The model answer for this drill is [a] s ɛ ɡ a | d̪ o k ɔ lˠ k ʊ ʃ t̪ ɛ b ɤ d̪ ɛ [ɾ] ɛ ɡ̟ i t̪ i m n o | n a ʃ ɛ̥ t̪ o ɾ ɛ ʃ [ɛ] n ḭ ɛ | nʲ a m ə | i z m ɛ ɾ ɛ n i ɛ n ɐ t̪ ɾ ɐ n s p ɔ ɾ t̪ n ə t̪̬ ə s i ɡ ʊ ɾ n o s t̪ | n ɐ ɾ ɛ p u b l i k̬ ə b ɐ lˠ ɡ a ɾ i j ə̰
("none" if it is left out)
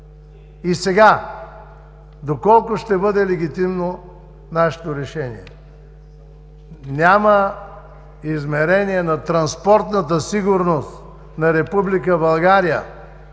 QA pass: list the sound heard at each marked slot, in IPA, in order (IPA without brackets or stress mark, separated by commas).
i, l, ɛ